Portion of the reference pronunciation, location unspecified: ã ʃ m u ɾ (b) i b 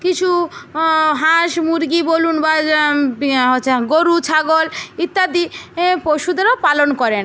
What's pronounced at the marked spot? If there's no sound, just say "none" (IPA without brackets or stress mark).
ɡ